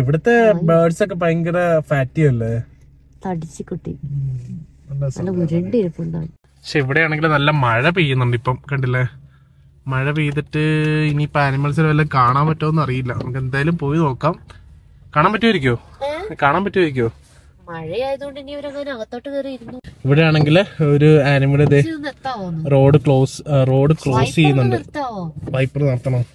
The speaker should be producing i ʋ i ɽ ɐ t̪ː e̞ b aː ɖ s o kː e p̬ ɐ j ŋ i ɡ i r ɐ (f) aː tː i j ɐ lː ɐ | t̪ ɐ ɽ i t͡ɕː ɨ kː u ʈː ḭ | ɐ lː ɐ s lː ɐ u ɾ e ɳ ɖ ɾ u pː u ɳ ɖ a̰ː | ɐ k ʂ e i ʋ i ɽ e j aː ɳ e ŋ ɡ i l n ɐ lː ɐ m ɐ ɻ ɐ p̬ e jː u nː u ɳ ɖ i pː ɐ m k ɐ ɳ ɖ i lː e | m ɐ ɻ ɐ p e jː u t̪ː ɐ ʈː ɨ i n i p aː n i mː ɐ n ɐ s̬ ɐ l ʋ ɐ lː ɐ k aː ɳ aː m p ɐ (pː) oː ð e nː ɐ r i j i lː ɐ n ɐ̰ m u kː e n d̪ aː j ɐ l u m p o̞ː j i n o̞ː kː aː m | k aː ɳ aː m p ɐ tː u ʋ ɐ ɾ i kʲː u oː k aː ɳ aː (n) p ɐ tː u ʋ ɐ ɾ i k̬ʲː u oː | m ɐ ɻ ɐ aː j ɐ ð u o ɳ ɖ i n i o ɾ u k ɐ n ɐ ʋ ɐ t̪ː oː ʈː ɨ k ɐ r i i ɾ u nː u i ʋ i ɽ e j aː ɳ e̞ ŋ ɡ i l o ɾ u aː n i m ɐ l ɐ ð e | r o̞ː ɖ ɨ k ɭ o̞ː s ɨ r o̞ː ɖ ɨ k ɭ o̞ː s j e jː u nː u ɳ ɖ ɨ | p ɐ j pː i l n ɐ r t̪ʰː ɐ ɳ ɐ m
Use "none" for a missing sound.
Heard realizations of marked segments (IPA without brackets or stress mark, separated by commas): f, tː, m